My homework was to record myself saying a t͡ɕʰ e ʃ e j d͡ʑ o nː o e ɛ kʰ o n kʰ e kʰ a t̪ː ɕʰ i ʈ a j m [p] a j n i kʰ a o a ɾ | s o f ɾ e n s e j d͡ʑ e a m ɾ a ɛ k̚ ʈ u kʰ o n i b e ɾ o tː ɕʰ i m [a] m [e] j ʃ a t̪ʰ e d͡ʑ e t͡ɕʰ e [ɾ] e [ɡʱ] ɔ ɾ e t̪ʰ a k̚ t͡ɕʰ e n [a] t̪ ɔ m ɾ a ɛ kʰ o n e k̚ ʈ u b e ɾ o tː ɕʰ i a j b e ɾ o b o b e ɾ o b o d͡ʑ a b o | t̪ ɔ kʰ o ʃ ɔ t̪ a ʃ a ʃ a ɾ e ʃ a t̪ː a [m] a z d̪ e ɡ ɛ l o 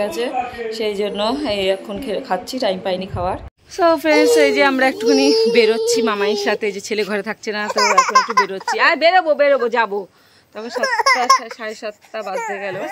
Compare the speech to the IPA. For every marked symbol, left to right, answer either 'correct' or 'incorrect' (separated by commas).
correct, correct, incorrect, incorrect, correct, correct, incorrect